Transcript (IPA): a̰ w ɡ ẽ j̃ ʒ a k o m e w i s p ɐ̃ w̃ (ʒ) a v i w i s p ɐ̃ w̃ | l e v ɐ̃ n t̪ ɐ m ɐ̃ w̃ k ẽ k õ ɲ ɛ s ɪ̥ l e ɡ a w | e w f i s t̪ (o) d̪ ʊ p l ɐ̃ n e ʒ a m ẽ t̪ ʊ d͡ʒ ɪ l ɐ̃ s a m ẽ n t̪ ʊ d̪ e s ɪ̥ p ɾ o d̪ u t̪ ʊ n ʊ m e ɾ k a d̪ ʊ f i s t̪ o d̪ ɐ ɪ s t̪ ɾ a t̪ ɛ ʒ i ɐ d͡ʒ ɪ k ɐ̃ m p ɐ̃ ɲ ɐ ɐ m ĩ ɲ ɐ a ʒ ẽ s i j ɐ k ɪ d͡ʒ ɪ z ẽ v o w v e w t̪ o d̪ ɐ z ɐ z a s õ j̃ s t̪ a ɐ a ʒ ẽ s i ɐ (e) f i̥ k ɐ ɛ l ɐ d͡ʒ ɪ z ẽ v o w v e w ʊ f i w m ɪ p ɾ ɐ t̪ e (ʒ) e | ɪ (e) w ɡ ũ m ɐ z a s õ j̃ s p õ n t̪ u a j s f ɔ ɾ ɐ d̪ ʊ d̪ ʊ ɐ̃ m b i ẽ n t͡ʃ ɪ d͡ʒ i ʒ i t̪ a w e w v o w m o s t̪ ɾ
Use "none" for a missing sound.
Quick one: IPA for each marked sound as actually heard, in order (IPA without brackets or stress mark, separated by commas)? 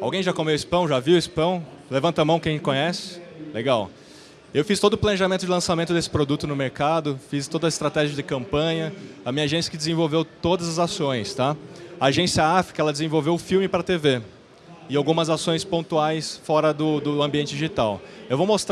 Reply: ʒ, o, a, v, a